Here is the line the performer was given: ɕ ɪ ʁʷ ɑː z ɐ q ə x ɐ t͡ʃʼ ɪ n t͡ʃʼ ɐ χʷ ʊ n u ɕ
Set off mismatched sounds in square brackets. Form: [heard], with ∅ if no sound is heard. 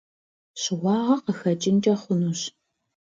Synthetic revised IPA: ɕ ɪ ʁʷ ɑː [ʁ] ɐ q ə x ɐ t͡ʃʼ ɪ n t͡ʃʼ ɐ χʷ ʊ n u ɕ